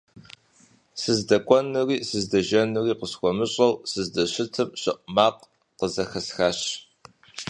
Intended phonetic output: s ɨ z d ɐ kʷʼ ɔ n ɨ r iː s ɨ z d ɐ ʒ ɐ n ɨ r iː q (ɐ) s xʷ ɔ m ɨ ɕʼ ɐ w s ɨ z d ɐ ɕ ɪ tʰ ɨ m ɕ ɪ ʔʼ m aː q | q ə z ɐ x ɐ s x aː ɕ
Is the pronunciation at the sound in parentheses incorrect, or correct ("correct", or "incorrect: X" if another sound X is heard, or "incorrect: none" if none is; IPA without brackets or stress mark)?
incorrect: ə